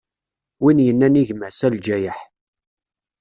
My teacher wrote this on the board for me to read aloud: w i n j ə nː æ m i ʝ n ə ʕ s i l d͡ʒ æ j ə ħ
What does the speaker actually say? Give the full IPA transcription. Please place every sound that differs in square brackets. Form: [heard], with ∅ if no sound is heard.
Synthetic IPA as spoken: w i n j ə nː æ [n] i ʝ [m] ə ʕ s [æ] l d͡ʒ æ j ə ħ